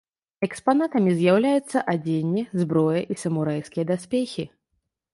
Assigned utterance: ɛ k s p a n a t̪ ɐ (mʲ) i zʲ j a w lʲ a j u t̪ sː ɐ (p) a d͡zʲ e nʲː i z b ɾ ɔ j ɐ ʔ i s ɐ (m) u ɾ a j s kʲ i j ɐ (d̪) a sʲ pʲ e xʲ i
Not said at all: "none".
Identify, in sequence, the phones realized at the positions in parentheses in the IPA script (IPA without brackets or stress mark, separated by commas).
mʲ, ʔ, m, d̪